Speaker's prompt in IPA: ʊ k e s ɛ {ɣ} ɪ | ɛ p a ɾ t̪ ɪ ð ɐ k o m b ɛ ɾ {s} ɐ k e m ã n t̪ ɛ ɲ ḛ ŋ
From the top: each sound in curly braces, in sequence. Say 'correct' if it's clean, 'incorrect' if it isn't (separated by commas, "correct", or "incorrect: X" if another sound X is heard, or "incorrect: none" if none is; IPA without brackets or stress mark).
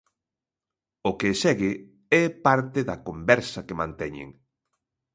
correct, correct